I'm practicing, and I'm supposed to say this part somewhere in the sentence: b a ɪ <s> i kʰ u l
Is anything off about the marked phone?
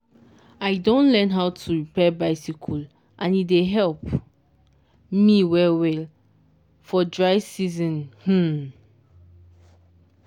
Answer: no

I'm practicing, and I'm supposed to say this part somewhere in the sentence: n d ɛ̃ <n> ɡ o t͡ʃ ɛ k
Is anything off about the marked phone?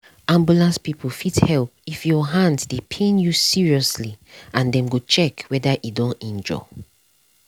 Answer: yes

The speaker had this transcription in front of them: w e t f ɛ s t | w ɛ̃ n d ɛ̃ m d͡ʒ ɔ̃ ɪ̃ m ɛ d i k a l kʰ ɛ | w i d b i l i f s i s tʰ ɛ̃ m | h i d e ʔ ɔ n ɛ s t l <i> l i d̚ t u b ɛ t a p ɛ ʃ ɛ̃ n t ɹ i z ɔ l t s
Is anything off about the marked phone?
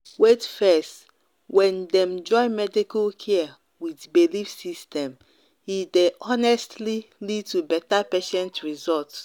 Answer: no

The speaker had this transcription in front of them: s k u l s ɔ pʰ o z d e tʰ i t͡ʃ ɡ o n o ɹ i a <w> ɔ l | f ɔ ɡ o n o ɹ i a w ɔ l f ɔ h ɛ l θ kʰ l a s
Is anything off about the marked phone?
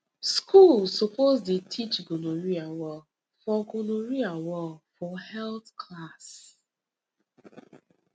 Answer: no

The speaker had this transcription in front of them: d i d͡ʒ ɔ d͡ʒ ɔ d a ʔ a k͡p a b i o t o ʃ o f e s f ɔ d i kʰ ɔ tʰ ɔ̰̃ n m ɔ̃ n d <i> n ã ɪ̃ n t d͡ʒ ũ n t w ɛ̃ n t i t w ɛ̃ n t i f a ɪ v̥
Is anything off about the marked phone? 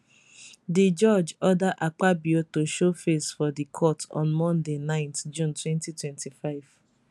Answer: yes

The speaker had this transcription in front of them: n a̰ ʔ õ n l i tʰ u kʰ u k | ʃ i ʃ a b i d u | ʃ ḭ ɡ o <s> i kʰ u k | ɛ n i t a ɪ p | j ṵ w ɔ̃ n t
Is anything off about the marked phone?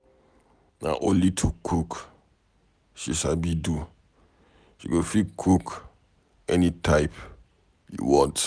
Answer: yes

